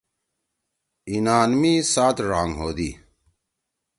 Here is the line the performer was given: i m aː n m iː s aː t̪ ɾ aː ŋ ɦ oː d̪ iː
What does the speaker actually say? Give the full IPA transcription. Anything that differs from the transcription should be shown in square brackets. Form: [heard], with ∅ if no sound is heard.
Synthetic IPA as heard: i [n] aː n m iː s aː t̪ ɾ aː ŋ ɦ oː d̪ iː